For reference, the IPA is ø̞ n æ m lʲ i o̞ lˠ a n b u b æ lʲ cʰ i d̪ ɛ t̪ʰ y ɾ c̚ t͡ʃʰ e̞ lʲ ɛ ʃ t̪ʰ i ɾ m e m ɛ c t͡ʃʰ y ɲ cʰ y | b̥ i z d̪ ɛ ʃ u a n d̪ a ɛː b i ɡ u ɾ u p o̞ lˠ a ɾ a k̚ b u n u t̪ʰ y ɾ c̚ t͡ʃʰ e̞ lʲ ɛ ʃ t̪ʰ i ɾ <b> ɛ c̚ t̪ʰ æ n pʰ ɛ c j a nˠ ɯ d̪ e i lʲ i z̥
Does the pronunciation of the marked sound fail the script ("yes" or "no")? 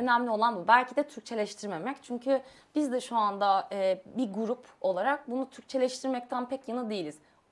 yes